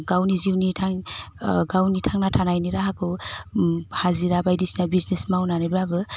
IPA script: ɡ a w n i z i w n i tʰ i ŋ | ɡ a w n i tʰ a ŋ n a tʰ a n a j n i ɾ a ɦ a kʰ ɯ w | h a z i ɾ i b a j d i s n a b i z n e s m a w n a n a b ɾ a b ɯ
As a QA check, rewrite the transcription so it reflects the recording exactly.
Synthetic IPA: ɡ a w n i z i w n i tʰ a ŋ | ɡ a w n i tʰ a ŋ n a tʰ a n a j n i ɾ a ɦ a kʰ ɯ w | h a z i ɾ a b a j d i s n a b i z n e s m a w n a n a b ɾ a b ɯ